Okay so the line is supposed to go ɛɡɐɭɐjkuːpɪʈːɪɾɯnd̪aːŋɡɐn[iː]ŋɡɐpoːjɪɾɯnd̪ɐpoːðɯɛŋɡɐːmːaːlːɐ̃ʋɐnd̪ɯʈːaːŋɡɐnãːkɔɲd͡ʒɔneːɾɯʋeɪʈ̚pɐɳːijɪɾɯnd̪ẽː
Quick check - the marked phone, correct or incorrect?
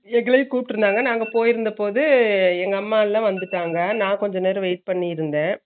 incorrect